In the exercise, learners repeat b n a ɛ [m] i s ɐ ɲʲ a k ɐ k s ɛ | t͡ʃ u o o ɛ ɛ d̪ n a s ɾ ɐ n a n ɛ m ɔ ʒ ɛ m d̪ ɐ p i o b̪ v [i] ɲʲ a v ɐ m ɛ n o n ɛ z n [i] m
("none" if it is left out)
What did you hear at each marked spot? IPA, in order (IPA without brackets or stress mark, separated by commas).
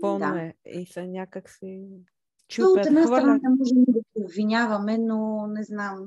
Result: none, i, a